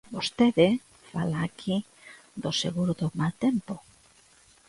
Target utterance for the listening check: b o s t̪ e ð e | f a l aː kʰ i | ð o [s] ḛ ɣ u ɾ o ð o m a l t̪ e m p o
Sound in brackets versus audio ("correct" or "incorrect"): correct